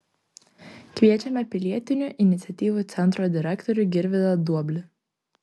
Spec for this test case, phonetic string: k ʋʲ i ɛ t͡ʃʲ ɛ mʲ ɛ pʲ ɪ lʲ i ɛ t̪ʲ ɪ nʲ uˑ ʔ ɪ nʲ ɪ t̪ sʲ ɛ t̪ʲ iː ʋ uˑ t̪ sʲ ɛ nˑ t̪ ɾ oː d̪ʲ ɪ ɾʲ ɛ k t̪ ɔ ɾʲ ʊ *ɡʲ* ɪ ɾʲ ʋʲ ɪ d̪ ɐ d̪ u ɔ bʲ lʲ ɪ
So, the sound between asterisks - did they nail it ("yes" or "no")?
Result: yes